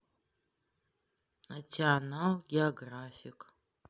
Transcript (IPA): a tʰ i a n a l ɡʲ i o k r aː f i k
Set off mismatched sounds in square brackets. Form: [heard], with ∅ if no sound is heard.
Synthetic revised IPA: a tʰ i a n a l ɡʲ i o [ɡ] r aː f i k